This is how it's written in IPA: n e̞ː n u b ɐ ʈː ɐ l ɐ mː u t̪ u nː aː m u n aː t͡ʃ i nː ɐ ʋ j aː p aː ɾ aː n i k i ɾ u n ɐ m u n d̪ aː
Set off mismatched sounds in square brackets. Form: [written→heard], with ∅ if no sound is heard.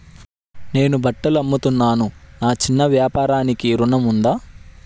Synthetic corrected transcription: n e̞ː n u b ɐ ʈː ɐ l ɐ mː u t̪ u nː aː [m→n] u n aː t͡ʃ i nː ɐ ʋ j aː p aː ɾ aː n i k i ɾ u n ɐ m u n d̪ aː